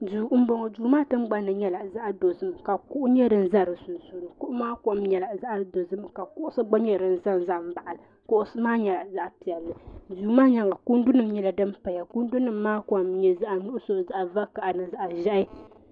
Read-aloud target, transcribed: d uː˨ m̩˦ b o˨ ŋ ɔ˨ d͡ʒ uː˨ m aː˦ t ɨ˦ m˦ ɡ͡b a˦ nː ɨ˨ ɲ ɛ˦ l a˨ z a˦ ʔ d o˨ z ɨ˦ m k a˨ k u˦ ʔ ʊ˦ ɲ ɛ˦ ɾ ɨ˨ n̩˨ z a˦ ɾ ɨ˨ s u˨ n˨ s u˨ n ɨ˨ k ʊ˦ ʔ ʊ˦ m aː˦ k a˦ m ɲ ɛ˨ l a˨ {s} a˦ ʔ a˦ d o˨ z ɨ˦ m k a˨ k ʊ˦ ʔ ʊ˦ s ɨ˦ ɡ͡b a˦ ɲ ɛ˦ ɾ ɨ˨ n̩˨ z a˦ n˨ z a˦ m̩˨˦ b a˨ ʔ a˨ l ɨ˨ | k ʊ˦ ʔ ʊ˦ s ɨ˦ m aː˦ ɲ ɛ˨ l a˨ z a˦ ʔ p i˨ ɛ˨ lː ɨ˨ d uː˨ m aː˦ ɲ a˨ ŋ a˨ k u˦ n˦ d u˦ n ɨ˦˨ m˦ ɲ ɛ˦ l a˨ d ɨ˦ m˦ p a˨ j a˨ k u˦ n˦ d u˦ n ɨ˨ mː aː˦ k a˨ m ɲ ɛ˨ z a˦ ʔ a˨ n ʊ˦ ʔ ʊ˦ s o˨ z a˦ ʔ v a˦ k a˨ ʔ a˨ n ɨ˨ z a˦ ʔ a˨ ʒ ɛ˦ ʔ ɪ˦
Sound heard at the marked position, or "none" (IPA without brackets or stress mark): z